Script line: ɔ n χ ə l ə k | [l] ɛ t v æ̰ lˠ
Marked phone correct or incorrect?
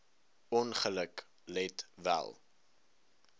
correct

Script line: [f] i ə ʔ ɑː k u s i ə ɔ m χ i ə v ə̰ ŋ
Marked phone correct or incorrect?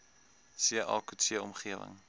incorrect: s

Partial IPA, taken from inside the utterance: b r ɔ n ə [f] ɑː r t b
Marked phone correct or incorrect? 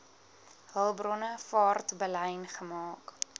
correct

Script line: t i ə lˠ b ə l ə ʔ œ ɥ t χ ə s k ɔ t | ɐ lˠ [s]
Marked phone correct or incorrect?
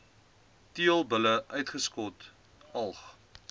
incorrect: χ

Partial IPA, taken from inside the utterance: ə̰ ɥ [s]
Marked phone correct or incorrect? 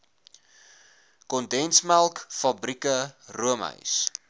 correct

